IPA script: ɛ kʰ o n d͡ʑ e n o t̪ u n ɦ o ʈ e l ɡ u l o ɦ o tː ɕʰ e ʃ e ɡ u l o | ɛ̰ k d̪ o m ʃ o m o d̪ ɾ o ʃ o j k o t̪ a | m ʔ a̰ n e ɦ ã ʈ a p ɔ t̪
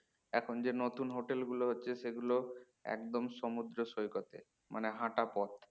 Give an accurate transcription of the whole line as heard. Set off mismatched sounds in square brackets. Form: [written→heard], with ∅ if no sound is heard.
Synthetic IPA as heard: ɛ kʰ o n d͡ʑ e n o t̪ u n ɦ o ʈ e l ɡ u l o ɦ o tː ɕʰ e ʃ e ɡ u l o | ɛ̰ k d̪ o m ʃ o m [o→u] d̪ ɾ o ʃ o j k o t̪ [a→e] | m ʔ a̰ n e ɦ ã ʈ a p ɔ t̪